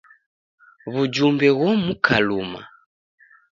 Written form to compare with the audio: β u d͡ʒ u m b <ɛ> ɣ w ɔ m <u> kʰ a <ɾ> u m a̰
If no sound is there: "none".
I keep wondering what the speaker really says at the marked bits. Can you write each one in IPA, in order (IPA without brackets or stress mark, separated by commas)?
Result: ɛ, u, l